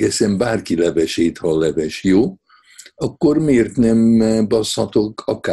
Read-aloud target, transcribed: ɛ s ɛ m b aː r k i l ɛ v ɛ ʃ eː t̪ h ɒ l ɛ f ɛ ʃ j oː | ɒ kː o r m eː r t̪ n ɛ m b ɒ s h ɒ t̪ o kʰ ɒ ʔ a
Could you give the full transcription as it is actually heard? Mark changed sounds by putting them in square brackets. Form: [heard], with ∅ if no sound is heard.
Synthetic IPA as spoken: ɛ s ɛ m b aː r k i l ɛ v ɛ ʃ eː t̪ h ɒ l ɛ [v] ɛ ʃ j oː | ɒ kː o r m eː r t̪ n ɛ m b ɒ s h ɒ t̪ o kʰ ɒ [k] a